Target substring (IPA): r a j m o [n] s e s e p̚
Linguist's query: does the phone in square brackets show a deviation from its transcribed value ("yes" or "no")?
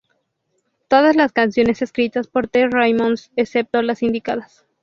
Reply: no